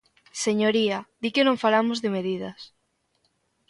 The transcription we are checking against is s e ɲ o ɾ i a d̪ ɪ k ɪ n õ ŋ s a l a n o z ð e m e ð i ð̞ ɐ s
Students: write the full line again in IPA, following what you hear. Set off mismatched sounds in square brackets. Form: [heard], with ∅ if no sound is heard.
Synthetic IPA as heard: s e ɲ o ɾ i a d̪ [i] k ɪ n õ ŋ [f] a l a [m] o z ð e m e ð i ð̞ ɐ s